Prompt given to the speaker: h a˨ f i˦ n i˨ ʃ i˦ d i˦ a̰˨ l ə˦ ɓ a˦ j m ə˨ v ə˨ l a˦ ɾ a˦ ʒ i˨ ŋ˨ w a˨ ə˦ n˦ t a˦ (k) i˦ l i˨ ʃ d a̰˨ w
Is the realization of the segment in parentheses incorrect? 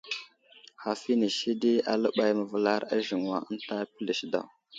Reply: yes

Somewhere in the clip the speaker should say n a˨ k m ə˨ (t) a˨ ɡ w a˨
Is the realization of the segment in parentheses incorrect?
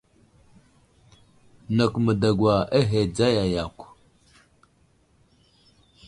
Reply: yes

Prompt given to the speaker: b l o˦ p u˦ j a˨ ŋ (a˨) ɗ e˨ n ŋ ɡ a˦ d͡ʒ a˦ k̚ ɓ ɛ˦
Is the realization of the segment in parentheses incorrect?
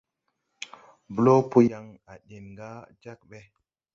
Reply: no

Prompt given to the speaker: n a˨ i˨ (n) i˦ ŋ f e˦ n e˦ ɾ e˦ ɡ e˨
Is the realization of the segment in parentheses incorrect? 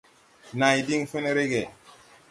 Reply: yes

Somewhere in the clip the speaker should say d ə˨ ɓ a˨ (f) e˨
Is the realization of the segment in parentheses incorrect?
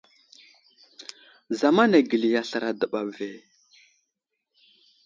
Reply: yes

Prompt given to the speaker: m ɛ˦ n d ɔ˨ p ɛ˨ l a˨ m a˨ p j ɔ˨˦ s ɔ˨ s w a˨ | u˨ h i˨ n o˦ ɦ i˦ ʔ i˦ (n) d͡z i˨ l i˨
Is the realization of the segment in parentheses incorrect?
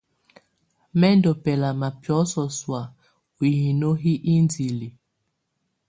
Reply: no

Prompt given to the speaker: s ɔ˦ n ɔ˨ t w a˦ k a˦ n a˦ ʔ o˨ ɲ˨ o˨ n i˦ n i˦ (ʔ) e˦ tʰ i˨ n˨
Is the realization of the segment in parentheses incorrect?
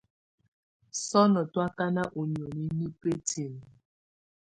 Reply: yes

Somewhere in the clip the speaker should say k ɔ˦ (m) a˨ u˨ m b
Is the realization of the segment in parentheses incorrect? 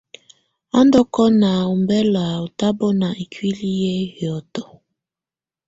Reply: yes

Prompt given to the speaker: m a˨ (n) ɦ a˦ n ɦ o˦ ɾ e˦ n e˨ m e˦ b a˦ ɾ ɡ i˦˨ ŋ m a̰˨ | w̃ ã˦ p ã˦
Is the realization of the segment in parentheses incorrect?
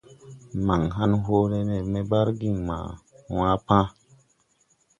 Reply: yes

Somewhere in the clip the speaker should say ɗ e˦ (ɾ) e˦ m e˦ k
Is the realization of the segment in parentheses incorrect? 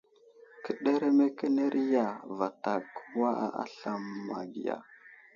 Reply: no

